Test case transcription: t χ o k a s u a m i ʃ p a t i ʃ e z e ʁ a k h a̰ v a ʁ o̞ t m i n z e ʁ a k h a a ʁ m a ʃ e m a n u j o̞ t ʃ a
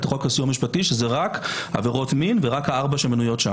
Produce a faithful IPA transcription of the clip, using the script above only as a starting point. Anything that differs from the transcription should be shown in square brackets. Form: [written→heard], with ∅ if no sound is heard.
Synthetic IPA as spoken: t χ o k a s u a m i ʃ p a t i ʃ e z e ʁ a k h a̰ v [a→e] ʁ o̞ t m i n [z→v] e ʁ a k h a a ʁ [m→b] a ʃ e m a n u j o̞ t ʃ a

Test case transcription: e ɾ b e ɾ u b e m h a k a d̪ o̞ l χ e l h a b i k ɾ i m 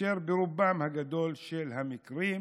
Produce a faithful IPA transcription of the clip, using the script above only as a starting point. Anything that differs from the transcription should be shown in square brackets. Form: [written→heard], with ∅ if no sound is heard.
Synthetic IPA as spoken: e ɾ b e ɾ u b [e→a] m h a [k→ɡ] a d̪ o̞ l [χ→ʃ] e l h a [b→m] i k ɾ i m

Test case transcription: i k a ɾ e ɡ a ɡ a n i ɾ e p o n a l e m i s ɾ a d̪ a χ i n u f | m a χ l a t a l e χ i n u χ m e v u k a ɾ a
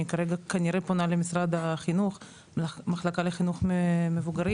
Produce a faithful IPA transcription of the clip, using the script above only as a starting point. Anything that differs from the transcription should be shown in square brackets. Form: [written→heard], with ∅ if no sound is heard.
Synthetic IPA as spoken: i k a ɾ e ɡ a [ɡ→k] a n i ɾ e p o n a l e m i s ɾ a d̪ a χ i n u [f→χ] | m a χ l a [t→k] a l e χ i n u χ m e v u [k→ɡ] a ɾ [a→i]

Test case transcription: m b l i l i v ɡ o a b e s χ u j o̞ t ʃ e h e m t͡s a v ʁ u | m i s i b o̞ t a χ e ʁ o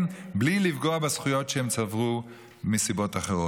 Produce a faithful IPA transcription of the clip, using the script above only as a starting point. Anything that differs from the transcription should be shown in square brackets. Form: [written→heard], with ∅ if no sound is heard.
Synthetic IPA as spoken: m b l i l i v ɡ o a b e s χ u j o̞ t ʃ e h e m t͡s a v ʁ u | m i s i b o̞ t a χ e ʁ o

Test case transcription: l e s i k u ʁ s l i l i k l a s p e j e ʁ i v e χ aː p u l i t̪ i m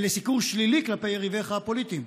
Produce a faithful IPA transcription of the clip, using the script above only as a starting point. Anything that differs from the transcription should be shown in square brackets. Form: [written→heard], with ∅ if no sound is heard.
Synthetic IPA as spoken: l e s i k u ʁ [s→ʃ] l i l i k l a [s→∅] p e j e ʁ i v e χ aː p [u→o] l i t̪ i m

